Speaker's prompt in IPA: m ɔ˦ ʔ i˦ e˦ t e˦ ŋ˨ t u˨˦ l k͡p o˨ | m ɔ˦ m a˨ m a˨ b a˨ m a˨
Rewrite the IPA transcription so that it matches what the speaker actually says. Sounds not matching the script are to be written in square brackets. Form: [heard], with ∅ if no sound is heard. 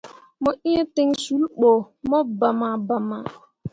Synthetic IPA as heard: m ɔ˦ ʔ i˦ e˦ t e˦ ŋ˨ [s] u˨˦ l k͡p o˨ | m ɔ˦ [b] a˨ m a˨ b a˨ m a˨